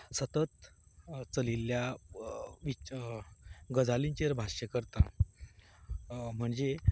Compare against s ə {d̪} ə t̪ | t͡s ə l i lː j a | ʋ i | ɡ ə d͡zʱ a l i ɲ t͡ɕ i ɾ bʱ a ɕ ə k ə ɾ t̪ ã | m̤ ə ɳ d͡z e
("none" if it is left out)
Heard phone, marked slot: t̪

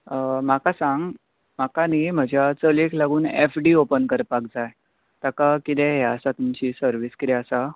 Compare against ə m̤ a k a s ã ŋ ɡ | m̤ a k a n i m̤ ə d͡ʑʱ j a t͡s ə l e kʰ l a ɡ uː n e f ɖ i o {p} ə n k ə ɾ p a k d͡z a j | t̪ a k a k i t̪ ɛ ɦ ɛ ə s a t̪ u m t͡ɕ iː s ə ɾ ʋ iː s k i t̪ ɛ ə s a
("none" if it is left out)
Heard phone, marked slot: p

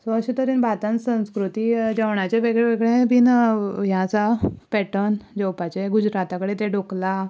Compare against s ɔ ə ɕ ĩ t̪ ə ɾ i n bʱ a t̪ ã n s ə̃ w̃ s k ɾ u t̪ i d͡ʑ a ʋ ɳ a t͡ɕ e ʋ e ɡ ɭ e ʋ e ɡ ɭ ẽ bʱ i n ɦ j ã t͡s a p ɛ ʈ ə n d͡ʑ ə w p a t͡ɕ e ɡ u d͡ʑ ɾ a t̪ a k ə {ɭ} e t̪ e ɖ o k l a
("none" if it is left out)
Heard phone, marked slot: ɽ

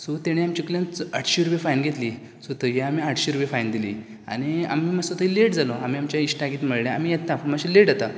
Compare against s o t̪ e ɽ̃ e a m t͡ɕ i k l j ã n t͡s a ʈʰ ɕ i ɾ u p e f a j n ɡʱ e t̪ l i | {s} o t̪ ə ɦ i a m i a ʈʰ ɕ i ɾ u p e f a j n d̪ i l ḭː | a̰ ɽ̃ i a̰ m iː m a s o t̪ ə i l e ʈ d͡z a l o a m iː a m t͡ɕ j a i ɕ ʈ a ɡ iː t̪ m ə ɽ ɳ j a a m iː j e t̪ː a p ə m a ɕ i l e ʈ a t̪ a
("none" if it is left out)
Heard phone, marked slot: s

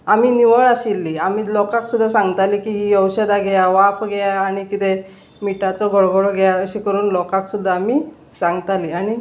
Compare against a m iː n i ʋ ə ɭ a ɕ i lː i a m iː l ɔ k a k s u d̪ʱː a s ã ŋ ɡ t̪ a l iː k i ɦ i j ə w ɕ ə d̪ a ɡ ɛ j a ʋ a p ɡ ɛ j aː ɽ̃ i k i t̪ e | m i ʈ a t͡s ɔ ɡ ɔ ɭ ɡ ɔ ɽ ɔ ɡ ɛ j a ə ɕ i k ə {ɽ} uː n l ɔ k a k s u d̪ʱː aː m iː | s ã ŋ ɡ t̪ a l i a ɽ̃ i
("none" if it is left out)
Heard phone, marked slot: ɾ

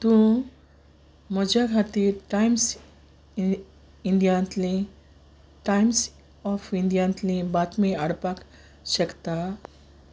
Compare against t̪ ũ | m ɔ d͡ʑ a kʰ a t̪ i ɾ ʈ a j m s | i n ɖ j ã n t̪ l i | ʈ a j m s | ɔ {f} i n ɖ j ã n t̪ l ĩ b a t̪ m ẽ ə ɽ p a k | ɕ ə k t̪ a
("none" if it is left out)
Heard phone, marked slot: f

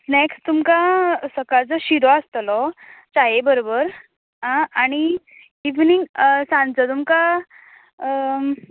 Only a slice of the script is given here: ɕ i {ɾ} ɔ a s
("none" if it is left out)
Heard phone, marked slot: ɾ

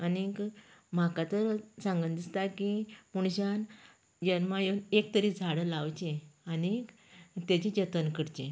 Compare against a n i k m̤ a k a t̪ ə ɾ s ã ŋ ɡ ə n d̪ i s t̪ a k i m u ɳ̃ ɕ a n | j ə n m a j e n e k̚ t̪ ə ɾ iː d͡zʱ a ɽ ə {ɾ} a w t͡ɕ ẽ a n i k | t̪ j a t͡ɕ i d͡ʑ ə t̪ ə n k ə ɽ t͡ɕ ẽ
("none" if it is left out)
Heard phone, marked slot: l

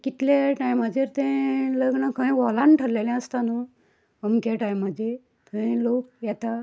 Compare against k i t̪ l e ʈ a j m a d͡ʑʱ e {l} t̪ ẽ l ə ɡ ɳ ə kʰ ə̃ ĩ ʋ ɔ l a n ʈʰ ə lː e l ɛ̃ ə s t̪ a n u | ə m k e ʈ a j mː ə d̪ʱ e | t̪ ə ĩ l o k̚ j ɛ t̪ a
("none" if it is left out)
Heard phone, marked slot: ɾ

